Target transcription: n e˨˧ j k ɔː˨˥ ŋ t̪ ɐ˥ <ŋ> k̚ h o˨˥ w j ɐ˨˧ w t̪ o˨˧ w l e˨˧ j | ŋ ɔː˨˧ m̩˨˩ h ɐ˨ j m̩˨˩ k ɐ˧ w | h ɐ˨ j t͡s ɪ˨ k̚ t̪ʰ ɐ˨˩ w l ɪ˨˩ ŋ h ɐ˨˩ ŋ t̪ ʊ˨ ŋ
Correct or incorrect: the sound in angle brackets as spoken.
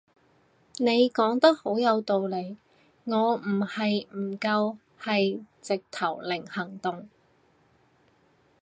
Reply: incorrect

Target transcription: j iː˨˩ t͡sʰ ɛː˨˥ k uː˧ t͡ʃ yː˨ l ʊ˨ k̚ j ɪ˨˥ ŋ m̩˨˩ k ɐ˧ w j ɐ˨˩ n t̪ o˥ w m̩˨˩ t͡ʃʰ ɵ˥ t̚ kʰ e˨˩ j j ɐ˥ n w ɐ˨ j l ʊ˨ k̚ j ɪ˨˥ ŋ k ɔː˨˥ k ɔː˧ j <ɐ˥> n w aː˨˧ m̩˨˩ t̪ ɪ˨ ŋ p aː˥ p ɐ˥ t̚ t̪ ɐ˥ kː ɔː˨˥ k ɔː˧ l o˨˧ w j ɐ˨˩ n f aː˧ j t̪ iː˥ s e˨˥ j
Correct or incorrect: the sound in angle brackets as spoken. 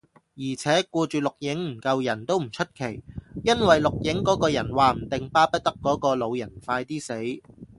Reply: incorrect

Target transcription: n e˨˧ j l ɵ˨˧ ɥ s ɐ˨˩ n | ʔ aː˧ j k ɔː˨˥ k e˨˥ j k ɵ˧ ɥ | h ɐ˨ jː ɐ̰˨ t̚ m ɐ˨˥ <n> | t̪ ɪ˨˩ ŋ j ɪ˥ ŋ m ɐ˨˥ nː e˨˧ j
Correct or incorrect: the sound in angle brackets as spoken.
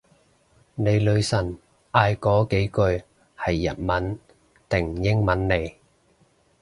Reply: correct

